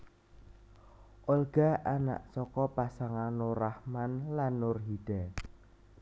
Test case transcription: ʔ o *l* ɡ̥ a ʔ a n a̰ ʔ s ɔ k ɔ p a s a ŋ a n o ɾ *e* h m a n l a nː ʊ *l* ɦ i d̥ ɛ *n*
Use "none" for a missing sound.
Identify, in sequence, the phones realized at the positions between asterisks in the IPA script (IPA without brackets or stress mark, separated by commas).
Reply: l, a, r, none